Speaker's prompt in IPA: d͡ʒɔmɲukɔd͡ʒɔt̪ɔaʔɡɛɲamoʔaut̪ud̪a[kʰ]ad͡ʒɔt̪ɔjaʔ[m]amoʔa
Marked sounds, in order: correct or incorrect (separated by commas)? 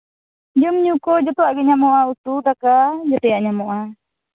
incorrect, incorrect